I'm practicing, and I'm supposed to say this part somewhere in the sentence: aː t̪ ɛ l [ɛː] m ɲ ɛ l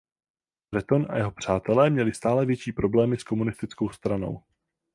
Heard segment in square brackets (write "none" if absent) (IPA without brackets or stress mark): ɛː